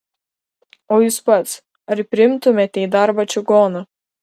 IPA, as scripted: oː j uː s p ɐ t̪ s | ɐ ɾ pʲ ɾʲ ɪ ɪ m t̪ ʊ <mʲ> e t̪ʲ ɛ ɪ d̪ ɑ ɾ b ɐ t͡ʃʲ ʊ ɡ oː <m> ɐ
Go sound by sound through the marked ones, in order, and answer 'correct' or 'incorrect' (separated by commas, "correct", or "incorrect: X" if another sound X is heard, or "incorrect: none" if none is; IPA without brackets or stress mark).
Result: correct, incorrect: n